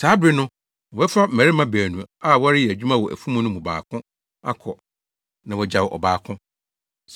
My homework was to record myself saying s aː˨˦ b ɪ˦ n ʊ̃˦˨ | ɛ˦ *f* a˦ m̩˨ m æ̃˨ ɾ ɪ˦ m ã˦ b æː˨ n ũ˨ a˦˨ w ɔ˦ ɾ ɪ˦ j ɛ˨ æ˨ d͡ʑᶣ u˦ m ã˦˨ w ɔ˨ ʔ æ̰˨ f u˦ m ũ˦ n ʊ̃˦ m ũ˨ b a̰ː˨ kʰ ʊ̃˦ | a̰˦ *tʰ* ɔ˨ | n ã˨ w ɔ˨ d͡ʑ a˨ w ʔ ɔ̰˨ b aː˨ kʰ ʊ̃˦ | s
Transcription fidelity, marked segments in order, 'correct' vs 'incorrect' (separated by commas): correct, incorrect